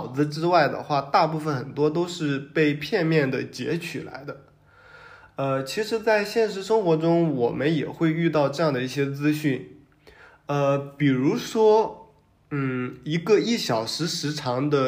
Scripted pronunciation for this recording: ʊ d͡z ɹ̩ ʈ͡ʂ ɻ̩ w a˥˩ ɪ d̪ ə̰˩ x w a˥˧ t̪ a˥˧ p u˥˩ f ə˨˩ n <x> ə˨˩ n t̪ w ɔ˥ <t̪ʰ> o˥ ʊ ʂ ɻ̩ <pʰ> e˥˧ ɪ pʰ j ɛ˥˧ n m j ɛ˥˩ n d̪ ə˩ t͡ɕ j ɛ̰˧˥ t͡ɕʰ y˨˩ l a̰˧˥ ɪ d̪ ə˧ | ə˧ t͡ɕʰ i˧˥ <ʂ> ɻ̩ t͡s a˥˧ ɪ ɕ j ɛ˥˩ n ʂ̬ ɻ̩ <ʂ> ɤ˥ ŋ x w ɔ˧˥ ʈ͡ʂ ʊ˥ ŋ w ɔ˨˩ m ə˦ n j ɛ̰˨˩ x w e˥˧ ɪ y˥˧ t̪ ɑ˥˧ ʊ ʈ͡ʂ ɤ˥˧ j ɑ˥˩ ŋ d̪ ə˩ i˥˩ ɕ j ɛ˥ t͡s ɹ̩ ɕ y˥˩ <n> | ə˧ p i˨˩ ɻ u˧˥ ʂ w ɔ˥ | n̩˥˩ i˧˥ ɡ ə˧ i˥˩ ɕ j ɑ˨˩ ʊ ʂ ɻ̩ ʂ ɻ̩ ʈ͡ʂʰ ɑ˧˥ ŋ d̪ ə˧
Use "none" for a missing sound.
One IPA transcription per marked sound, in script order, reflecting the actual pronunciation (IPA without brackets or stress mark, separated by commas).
x, t̪, p, ʂ, ʂ, n